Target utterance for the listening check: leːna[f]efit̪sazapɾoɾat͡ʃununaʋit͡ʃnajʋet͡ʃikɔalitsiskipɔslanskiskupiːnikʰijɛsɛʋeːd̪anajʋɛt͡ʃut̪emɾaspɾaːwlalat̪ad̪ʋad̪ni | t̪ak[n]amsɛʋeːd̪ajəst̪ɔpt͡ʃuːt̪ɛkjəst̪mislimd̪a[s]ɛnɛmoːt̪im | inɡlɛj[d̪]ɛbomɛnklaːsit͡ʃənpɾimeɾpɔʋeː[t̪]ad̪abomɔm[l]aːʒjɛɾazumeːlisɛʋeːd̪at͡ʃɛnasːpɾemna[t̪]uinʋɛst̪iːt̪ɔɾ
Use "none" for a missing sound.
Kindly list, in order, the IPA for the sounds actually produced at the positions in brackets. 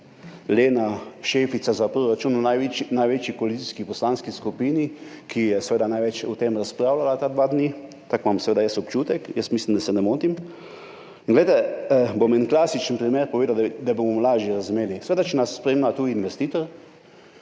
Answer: ʃ, m, s, t̪, d̪, l, t̪

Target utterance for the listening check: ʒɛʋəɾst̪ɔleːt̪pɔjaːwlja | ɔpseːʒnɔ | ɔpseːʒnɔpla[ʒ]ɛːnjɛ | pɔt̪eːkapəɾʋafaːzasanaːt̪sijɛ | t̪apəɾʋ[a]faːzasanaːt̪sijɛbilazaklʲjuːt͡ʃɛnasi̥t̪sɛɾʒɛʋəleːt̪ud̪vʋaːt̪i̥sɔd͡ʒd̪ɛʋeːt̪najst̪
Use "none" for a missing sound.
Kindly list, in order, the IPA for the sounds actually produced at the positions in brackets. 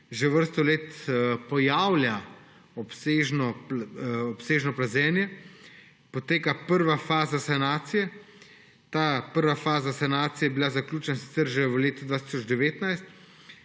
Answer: z, a

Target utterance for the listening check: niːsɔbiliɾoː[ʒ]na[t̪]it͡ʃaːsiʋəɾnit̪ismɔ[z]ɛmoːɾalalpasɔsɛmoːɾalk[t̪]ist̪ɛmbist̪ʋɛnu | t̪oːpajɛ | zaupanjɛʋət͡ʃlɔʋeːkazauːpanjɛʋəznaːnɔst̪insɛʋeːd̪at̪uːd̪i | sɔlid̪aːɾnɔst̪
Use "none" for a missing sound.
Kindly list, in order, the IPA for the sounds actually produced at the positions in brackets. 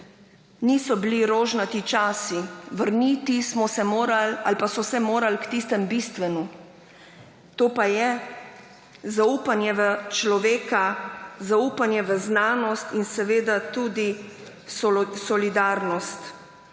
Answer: ʒ, t̪, s, t̪

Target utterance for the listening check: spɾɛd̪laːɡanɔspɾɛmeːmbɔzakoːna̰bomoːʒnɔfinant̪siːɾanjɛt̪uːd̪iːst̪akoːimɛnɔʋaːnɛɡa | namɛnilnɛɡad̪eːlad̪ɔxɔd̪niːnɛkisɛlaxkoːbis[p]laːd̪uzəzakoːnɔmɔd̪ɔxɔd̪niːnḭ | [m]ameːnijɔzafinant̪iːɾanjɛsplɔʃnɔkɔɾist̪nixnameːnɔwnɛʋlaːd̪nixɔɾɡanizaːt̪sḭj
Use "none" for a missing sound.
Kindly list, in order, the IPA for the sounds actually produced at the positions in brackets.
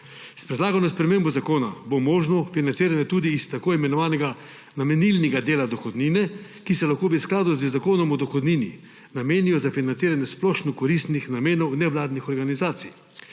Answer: k, n

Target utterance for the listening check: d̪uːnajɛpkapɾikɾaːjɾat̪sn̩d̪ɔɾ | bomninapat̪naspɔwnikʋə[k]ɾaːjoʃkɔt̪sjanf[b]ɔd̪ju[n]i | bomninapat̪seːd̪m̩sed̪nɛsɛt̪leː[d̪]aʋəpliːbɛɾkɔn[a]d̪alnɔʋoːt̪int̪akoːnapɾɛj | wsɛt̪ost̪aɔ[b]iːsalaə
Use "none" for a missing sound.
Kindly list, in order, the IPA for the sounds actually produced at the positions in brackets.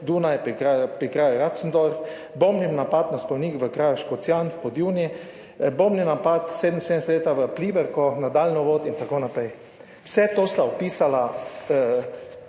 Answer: k, p, n, t̪, a, p

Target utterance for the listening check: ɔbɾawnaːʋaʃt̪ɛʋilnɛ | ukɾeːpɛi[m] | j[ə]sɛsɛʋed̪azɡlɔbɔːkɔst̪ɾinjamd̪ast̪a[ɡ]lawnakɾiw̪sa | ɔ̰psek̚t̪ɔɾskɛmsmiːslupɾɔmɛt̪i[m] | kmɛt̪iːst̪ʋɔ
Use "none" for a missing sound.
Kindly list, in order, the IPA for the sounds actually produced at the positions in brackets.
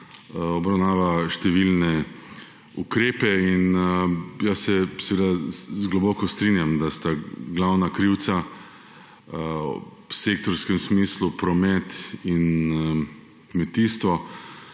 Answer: n, a, ɡ, n

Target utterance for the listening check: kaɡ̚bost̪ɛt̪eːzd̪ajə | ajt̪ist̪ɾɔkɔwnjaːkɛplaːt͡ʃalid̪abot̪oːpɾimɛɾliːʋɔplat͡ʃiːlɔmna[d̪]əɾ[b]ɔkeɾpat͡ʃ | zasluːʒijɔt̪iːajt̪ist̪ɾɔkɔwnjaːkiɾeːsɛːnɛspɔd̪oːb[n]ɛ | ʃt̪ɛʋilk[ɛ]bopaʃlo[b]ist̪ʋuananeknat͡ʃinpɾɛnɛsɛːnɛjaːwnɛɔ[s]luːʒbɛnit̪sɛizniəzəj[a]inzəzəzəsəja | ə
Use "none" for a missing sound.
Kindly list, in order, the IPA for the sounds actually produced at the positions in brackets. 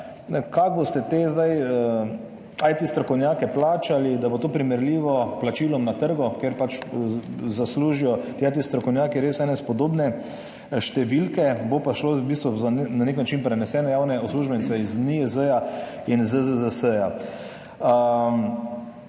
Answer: t̪, ɡ, n, ɛ, b, s, a

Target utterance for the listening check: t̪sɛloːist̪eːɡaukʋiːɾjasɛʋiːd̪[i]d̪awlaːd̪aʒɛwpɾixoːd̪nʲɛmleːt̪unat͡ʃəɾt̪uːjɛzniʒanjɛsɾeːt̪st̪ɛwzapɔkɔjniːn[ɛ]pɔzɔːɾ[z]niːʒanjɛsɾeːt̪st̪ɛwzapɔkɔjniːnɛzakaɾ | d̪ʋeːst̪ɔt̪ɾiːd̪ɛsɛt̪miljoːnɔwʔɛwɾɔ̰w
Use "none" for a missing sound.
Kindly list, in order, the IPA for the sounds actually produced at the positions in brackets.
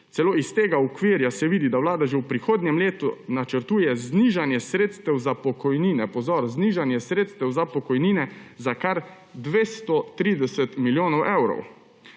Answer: i, ɛ, z

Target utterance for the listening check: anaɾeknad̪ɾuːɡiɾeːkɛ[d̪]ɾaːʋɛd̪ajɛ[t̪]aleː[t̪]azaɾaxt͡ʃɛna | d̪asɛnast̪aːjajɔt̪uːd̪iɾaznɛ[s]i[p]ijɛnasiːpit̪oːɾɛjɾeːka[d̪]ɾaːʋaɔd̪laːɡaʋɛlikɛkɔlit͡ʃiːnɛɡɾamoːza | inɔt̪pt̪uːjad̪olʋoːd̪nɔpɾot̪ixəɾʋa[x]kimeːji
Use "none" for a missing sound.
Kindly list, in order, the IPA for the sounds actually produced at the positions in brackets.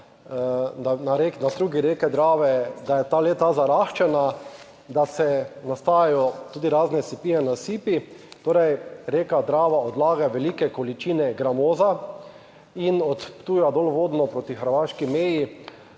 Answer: d̪, t̪, t̪, s, p, d̪, ʃ

